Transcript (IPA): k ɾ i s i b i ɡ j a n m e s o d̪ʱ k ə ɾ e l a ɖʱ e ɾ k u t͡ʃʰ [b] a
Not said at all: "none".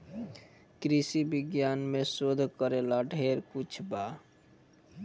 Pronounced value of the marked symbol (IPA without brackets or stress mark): b